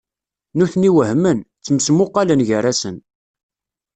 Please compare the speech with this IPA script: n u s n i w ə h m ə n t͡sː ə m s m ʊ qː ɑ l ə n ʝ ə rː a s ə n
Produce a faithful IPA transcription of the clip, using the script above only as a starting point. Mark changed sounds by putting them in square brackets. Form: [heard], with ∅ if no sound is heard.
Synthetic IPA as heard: n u [θ] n i w ə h m ə n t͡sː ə m s m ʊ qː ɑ l ə n ʝ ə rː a s ə n